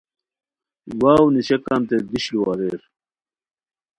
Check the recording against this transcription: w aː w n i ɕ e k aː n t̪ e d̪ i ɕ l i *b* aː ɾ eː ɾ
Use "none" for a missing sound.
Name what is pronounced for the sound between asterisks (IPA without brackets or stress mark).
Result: w